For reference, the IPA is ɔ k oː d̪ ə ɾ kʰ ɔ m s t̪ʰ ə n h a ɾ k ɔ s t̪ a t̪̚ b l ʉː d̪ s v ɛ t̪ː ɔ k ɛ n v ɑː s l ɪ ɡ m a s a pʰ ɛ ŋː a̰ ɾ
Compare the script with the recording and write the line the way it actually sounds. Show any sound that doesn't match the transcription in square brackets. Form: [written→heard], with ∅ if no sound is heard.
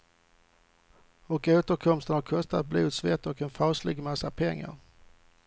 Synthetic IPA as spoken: ɔ k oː [d̪→t̪] ə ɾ kʰ ɔ m s [t̪ʰ→t̪] ə n h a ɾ [k→kʰ] ɔ s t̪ a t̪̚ b l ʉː d̪ s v ɛ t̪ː ɔ k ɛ n [v→f] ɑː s l ɪ ɡ m a s a pʰ ɛ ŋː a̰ ɾ